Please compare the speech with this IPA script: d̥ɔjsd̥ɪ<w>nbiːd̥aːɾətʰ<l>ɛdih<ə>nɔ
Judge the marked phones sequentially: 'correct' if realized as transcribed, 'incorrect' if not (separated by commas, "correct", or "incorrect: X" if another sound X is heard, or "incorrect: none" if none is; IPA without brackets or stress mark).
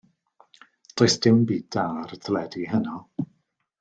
correct, correct, correct